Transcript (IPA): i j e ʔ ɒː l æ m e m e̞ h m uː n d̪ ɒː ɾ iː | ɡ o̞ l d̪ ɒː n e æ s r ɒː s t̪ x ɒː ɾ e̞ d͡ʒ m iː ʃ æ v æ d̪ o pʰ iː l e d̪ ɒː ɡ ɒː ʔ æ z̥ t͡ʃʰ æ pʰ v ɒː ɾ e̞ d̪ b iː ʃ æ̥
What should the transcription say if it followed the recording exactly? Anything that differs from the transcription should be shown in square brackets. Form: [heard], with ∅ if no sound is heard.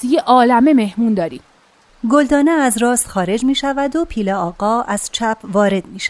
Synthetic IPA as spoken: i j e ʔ ɒː l æ m e m e̞ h m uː n d̪ ɒː ɾ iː | ɡ o̞ l d̪ ɒː n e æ [z] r ɒː s t̪ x ɒː ɾ e̞ d͡ʒ m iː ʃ æ v æ d̪ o pʰ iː l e [∅] ɒː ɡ ɒː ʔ æ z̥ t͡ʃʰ æ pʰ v ɒː ɾ e̞ d̪ [m] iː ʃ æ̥